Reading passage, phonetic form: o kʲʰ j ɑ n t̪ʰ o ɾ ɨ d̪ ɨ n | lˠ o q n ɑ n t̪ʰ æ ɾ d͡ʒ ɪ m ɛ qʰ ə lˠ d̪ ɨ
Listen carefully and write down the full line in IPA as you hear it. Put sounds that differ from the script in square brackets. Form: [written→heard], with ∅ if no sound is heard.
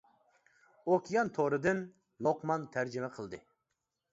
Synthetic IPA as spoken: o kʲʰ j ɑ n t̪ʰ o ɾ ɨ d̪ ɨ n | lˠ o q [n→m] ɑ n t̪ʰ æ ɾ d͡ʒ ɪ m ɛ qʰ ə lˠ d̪ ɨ

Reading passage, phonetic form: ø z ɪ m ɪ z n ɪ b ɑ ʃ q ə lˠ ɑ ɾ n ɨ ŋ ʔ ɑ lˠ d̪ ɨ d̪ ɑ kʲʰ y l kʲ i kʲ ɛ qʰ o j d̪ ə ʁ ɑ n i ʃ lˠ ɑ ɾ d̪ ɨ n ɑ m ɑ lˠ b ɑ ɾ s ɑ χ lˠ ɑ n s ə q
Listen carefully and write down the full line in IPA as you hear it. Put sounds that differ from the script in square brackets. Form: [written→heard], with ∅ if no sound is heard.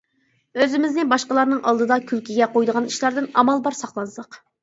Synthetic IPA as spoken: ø z ɪ m ɪ z n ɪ b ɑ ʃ q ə lˠ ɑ ɾ n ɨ ŋ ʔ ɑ lˠ d̪ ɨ d̪ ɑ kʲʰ y l kʲ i [kʲ→ɡʲ] ɛ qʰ o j d̪ ə ʁ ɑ n i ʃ lˠ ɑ ɾ d̪ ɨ n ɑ m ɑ lˠ b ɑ ɾ s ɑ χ lˠ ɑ n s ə q

